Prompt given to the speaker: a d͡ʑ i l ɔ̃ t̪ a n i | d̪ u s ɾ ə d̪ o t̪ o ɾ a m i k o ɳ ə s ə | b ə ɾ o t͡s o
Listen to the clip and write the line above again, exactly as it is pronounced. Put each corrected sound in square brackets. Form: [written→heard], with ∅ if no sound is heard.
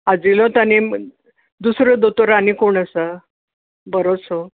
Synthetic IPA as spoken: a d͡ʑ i l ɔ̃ t̪ a n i | d̪ u s ɾ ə d̪ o t̪ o ɾ a [m→n] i k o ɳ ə s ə | b ə ɾ o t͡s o